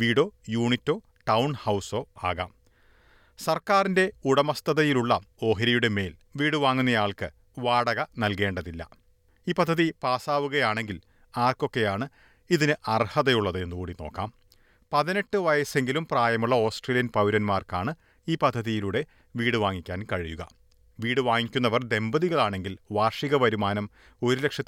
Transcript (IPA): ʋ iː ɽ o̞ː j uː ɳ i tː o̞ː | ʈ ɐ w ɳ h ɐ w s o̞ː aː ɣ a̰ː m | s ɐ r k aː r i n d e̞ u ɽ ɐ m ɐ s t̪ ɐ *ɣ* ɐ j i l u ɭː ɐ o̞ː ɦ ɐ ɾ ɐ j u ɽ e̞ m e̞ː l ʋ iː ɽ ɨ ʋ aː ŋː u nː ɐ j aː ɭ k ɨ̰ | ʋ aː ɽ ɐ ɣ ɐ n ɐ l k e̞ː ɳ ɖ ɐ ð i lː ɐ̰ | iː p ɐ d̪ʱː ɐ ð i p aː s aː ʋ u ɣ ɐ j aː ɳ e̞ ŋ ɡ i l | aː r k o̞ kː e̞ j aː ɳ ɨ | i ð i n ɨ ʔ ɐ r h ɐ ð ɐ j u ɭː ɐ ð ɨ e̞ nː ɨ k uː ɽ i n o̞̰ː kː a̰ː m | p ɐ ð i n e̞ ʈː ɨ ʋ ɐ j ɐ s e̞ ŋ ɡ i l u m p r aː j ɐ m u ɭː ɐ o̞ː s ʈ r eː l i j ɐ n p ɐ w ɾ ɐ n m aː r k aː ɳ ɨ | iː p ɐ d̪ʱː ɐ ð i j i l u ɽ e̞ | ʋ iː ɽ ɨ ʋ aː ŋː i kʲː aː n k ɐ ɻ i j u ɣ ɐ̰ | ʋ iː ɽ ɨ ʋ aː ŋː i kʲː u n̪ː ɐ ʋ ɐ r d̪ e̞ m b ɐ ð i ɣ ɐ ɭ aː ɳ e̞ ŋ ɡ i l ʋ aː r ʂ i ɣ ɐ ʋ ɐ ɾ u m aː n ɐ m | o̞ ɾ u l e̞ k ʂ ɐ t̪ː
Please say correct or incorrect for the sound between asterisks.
incorrect